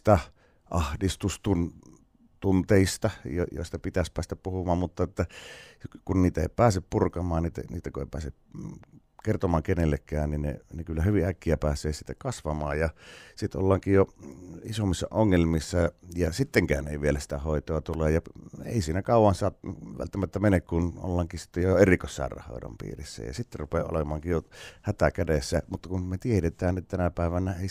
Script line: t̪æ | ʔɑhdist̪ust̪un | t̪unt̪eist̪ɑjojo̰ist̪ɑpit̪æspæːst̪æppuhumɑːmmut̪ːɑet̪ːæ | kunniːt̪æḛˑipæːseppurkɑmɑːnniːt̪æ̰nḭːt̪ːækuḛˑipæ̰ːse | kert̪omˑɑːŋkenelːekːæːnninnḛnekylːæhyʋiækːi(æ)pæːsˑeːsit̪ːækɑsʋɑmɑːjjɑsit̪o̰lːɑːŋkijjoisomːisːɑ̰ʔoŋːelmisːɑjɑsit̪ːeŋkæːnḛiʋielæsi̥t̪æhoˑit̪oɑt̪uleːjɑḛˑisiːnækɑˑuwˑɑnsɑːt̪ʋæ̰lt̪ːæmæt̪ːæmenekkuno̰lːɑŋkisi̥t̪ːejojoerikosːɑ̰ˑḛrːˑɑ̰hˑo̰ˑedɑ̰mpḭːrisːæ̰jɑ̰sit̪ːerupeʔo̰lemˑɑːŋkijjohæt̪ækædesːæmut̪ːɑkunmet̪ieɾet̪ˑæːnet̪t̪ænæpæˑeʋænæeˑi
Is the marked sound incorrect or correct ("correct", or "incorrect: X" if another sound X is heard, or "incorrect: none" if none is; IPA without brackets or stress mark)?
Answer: correct